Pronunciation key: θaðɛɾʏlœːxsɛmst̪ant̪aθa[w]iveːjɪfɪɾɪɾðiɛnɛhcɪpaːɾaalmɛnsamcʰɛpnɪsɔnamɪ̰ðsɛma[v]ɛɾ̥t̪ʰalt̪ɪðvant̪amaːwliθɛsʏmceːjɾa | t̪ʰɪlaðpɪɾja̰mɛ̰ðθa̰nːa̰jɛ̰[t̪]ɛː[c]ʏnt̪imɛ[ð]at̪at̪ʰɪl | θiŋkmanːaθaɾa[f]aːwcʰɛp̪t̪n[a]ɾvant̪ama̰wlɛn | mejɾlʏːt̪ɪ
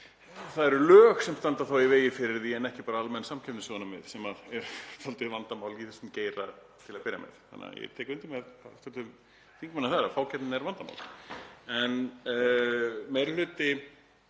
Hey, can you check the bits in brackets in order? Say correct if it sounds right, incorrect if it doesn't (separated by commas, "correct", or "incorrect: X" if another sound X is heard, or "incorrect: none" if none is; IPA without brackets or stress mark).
correct, incorrect: ð, incorrect: t̪ʰ, incorrect: k, correct, correct, incorrect: ɛ